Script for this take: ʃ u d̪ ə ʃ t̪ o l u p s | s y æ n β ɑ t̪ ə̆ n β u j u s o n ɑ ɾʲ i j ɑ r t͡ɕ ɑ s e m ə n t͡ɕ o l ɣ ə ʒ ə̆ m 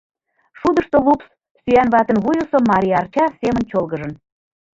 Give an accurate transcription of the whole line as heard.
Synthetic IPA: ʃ u d̪ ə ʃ t̪ o l u p s | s y æ n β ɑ t̪ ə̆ n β u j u s o m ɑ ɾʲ i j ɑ r t͡ɕ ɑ s e m ə n t͡ɕ o l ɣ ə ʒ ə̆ n

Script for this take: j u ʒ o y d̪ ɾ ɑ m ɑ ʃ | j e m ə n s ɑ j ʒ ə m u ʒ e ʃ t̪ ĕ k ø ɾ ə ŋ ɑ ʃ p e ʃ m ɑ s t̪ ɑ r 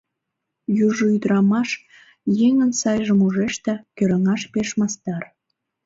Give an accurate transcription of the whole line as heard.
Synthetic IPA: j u ʒ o y d̪ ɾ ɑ m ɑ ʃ | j e ŋ ə n s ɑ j ʒ ə m u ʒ e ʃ t̪ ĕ k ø ɾ ə ŋ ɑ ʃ p e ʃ m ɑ s t̪ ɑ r

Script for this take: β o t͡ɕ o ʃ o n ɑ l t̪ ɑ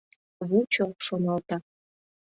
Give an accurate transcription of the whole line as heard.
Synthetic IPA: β u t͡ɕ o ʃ o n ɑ l t̪ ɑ

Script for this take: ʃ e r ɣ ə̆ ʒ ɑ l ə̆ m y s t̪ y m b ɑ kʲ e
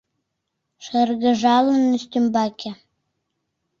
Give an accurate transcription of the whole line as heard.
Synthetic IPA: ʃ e r ɣ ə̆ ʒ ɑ l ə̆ n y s t̪ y m b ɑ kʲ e

